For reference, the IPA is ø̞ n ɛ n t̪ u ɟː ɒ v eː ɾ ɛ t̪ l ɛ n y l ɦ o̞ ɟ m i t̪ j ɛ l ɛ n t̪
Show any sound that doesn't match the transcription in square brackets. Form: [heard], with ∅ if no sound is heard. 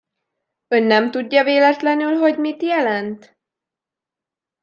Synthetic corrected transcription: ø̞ [nː] ɛ [m] t̪ u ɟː ɒ v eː [l] ɛ t̪ l ɛ n y l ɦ o̞ ɟ m i t̪ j ɛ l ɛ n t̪